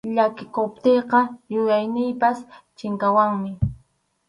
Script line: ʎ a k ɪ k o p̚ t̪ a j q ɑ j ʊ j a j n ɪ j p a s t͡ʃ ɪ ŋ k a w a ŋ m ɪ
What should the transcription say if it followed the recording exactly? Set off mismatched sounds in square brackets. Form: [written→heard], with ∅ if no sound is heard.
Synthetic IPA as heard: ʎ a k ɪ k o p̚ t̪ [a→e] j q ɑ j ʊ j a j n ɪ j p a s t͡ʃ ɪ ŋ k a w a ŋ m ɪ